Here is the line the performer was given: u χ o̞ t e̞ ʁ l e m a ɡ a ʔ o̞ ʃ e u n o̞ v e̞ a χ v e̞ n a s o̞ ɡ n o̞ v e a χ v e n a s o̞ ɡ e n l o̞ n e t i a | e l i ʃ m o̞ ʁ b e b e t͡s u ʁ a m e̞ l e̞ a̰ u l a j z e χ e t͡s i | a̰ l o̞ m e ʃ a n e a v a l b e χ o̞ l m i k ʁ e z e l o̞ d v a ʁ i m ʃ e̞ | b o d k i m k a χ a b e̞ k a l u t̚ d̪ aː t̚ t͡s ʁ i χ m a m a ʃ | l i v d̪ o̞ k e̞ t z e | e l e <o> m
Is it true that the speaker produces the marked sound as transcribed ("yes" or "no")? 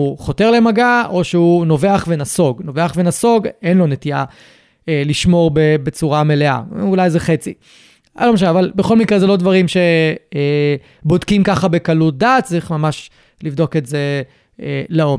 yes